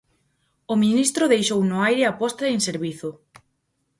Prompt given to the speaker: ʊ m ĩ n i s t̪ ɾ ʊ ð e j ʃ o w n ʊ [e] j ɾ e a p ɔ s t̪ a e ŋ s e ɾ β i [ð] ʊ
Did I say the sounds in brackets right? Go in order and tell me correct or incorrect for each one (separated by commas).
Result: incorrect, incorrect